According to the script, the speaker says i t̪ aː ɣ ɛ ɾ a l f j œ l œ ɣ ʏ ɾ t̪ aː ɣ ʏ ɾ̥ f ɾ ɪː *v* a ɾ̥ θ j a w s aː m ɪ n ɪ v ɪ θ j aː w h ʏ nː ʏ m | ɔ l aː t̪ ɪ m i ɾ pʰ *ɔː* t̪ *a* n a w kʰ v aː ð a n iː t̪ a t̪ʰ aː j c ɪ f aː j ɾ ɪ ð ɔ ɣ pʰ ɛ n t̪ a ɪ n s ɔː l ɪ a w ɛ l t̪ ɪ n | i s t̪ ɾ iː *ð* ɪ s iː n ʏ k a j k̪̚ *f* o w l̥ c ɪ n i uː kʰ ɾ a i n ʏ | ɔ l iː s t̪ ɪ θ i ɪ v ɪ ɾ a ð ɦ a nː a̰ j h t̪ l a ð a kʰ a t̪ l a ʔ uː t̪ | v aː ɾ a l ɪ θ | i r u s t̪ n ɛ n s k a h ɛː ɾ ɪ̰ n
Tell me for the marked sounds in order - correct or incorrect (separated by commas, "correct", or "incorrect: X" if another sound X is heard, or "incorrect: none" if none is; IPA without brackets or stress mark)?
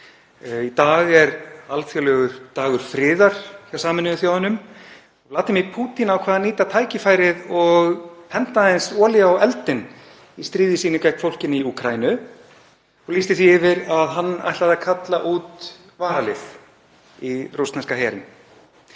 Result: incorrect: ð, incorrect: uː, incorrect: i, correct, correct